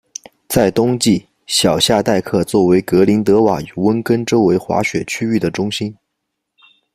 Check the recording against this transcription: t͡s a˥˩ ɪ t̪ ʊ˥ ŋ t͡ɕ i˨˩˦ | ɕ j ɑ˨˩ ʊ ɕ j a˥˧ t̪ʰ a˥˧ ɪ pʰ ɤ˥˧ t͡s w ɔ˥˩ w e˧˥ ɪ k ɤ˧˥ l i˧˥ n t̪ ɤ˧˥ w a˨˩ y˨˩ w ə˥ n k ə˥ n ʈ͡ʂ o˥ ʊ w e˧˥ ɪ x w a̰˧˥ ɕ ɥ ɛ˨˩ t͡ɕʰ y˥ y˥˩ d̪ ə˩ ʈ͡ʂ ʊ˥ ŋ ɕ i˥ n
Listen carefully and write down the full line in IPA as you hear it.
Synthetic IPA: t͡s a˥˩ ɪ t̪ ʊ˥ ŋ t͡ɕ i˥˩ | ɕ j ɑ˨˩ ʊ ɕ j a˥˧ t̪ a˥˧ ɪ kʰ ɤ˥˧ t͡s w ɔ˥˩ w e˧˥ ɪ k ɤ˧˥ l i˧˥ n t̪ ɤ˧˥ w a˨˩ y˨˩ w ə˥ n k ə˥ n ʈ͡ʂ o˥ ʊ w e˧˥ ɪ x w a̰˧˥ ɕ ɥ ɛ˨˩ t͡ɕʰ y˥ y˥˩ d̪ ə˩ ʈ͡ʂ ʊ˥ ŋ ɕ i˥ n